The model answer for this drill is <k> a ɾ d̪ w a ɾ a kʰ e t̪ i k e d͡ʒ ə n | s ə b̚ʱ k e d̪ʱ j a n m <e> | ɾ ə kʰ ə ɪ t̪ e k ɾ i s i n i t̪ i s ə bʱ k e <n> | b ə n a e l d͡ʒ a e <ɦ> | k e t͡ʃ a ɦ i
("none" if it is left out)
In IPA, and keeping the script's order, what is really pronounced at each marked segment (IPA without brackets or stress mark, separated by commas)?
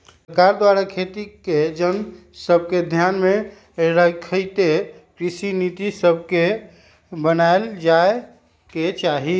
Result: k, e, none, none